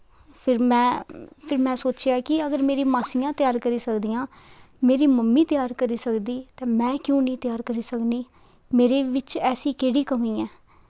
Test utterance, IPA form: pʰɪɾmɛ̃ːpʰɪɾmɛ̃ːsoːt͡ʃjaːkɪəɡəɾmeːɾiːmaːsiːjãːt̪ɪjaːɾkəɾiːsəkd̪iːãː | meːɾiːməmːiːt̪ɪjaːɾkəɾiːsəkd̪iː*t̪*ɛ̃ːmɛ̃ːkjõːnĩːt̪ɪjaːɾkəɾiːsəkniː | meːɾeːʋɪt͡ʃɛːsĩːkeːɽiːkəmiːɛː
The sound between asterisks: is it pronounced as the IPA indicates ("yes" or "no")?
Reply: yes